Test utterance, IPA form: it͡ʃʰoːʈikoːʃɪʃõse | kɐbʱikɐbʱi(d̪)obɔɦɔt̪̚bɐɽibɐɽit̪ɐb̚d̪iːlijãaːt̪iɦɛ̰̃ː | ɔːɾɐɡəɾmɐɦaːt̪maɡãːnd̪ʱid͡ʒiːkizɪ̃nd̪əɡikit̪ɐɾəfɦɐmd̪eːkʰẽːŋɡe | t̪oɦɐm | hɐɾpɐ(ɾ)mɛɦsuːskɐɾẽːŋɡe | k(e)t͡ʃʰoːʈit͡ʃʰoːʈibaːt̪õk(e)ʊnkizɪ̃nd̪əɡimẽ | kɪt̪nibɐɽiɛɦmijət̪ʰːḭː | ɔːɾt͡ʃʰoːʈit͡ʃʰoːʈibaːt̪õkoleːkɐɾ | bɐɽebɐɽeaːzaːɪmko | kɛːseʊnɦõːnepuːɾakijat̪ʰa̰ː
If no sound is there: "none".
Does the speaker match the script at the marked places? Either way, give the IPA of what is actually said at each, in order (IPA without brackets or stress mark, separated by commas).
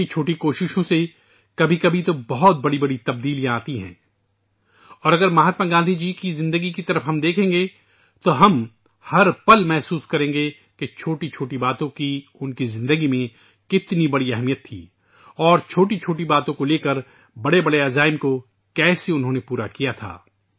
t̪, l, e, i